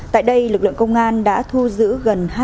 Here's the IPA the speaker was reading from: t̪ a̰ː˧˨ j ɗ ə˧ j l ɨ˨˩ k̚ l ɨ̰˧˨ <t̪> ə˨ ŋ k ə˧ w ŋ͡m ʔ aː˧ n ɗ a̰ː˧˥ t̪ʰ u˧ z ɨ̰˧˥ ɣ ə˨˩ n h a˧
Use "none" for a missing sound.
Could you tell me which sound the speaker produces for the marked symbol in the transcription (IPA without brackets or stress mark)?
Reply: none